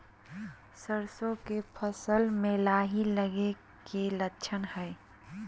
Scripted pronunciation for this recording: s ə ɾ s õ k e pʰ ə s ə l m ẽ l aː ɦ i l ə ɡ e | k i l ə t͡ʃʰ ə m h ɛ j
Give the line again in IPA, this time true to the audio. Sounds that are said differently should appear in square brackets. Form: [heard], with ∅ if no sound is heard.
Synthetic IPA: s ə ɾ s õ k e pʰ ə s ə l m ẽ l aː ɦ i l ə ɡ e | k [e] l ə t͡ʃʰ ə [n] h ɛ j